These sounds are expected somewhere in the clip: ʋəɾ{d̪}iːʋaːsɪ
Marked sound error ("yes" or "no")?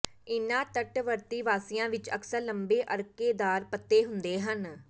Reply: yes